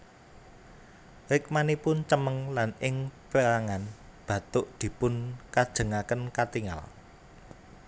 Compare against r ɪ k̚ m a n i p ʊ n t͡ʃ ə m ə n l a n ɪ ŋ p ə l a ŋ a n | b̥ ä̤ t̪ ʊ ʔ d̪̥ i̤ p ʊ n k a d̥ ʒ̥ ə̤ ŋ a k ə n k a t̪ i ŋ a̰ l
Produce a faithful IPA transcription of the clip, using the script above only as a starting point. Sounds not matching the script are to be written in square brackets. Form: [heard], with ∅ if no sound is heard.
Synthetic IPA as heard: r ɪ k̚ m a n i p ʊ n t͡ʃ ə m ə [ŋ] l a n ɪ ŋ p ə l a ŋ a n | b̥ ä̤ t̪ ʊ ʔ d̪̥ i̤ p ʊ n k a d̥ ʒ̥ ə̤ ŋ a k ə n k a t̪ i ŋ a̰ l